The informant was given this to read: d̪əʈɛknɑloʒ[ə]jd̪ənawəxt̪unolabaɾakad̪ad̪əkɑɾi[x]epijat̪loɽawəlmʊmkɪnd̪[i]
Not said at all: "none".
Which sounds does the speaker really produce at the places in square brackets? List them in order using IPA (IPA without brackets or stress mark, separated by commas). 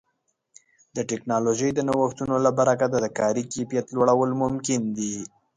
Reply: ə, k, i